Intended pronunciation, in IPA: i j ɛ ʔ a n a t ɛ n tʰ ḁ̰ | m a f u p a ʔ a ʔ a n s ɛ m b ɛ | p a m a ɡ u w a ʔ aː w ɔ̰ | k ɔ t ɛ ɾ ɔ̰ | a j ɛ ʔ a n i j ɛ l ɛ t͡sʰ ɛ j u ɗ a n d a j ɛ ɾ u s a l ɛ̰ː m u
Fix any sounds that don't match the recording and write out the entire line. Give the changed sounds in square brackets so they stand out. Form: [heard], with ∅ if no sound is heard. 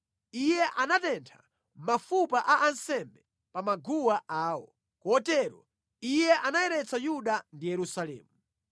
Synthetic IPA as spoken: i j ɛ ʔ a n a t ɛ n tʰ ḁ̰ | m a f u p a ʔ a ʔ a n s ɛ m b ɛ | p a m a ɡ u w a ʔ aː w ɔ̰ | k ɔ t ɛ ɾ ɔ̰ | [i] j ɛ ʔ a n [a] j ɛ [ɾ] ɛ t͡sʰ [a] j u ɗ a n d [i] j ɛ ɾ u s a l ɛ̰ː m u